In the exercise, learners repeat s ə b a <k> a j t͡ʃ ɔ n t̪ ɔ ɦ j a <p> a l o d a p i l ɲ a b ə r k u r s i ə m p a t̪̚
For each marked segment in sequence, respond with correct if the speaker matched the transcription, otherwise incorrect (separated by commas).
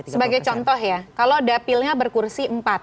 incorrect, incorrect